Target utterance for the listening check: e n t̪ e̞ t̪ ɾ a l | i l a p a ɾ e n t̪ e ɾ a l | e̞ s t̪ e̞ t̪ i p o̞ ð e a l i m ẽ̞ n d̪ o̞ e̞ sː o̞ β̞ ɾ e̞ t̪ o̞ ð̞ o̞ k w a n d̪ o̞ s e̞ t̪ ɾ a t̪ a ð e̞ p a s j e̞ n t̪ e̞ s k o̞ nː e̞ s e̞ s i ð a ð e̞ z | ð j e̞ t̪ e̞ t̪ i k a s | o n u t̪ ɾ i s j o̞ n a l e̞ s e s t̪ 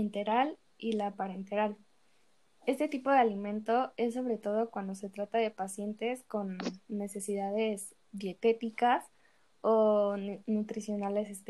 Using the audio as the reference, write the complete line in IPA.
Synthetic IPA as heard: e n t̪ e̞ ɾ a l | i l a p a ɾ e n t̪ e ɾ a l | e̞ s t̪ e̞ t̪ i p o̞ ð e a l i m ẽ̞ n t̪ o̞ e̞ sː o̞ β̞ ɾ e̞ t̪ o̞ ð̞ o̞ k w a n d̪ o̞ s e̞ t̪ ɾ a t̪ a ð e̞ p a s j e̞ n t̪ e̞ s k o̞ nː e̞ s e̞ s i ð a ð e̞ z | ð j e̞ t̪ e̞ t̪ i k a s | o n u t̪ ɾ i s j o̞ n a l e̞ s e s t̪